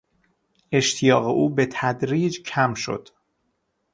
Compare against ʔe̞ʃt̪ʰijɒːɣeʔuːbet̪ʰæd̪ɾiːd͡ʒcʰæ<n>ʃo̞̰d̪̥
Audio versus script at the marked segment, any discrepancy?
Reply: yes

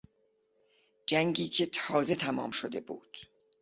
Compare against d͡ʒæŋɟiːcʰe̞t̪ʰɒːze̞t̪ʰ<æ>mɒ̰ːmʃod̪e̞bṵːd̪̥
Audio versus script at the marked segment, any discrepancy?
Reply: no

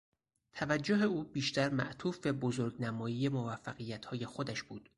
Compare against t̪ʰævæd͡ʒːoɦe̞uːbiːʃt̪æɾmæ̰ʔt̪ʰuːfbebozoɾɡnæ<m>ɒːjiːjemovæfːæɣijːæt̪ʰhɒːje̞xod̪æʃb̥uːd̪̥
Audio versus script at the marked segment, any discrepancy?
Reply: no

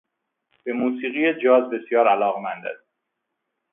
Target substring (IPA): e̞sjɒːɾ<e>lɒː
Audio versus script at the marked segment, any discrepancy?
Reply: yes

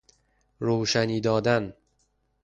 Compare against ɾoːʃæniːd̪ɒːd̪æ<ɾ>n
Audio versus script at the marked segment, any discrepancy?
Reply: yes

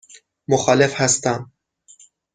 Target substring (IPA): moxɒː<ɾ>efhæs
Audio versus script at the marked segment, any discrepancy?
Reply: yes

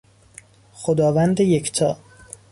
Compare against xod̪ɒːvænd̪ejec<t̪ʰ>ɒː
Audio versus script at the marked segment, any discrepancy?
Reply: no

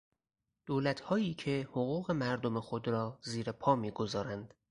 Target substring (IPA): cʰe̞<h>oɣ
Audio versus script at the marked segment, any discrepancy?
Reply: no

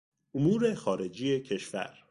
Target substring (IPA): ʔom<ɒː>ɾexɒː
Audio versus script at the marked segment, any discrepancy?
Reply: yes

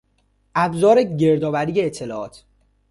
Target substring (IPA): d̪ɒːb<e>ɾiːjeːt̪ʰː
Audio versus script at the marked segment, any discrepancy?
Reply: yes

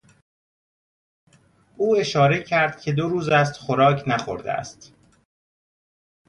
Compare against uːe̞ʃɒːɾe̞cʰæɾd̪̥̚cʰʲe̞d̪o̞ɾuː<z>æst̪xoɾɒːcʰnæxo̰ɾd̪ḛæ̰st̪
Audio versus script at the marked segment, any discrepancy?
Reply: no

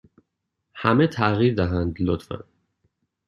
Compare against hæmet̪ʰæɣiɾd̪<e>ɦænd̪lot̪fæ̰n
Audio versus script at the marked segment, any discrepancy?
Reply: yes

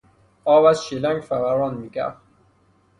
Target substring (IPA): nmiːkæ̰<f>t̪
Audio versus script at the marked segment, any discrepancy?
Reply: no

